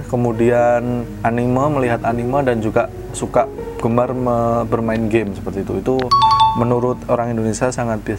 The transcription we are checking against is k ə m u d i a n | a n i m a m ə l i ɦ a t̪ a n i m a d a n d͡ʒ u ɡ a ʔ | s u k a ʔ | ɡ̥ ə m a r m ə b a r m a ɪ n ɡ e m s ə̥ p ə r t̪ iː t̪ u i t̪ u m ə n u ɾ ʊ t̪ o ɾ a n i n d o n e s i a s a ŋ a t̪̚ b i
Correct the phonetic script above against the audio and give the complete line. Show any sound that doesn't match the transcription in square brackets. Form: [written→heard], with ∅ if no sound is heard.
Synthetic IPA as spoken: k ə m u d i a n | a n i m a m ə l i ɦ a t̪ a n i m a d a n d͡ʒ u ɡ a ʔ | s u k a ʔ | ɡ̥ ə m a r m ə b [a→ə] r m a ɪ n ɡ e m s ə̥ p ə r t̪ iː t̪ u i t̪ u m ə n u ɾ ʊ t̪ o ɾ a [n→ŋ] i n d o n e s i a s a ŋ a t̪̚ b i